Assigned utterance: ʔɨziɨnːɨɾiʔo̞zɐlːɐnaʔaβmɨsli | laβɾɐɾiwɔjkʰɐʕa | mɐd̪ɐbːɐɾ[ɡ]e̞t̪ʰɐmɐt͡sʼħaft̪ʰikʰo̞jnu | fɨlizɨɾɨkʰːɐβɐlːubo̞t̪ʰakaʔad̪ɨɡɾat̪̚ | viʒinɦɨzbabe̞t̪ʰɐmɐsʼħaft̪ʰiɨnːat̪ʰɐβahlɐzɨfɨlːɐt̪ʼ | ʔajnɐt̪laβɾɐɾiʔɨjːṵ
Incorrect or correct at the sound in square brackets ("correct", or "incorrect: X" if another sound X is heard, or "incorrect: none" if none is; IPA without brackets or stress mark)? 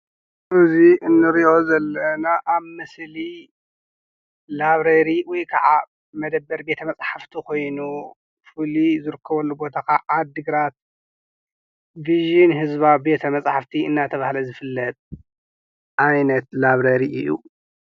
incorrect: b